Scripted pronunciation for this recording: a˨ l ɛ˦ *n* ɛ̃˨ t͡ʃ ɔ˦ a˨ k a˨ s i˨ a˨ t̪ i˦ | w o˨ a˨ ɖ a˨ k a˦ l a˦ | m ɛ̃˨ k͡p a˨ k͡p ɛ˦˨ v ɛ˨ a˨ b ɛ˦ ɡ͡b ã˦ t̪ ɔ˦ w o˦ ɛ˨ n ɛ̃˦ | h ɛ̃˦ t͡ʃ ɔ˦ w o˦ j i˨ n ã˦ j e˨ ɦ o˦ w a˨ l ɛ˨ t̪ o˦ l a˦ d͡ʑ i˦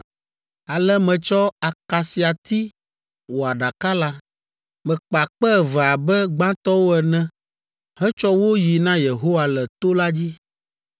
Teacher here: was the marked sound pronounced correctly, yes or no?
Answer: no